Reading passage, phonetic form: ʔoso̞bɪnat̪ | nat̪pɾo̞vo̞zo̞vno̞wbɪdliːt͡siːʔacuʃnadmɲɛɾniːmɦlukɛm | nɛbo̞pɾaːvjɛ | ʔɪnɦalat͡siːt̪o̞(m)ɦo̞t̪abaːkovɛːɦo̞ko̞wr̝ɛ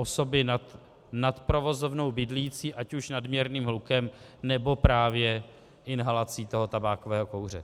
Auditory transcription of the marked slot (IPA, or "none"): none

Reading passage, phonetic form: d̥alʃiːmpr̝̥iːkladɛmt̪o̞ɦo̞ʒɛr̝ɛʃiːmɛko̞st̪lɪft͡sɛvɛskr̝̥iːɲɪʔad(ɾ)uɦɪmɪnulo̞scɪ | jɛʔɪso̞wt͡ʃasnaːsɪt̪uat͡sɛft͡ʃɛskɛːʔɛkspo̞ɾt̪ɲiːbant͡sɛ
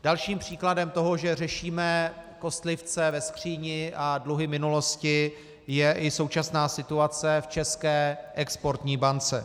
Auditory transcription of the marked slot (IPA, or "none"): l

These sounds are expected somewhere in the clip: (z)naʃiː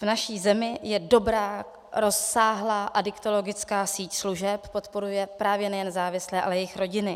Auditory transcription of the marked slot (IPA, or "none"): v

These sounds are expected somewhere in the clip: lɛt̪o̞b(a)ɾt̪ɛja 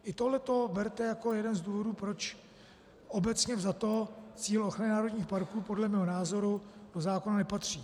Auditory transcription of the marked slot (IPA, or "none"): ɛ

